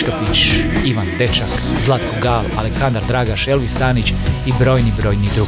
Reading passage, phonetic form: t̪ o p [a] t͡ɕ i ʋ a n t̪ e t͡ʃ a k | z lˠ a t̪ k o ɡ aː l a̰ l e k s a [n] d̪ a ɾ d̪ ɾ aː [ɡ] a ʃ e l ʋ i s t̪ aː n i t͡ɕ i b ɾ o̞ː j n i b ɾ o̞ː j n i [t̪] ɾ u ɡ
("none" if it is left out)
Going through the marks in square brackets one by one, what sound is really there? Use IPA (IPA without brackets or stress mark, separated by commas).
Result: i, n, ɡ, d̪